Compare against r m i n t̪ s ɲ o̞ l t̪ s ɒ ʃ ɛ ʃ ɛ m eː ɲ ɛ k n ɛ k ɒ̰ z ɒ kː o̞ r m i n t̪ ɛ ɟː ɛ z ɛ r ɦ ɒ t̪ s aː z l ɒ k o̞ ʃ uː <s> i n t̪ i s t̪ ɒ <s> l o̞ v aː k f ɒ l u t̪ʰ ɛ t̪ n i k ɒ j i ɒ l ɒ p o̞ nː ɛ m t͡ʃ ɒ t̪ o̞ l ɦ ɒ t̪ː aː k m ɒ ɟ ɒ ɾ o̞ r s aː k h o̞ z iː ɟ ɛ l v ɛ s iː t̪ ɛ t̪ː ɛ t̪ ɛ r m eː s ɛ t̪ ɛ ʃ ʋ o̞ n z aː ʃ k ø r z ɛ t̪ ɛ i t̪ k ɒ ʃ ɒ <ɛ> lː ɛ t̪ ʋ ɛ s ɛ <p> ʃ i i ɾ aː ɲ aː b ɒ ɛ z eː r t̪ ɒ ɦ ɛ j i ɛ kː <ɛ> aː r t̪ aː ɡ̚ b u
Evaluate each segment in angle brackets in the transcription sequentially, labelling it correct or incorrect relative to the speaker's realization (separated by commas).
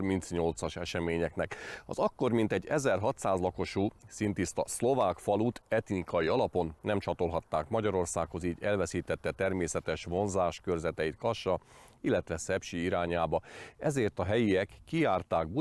correct, correct, incorrect, correct, incorrect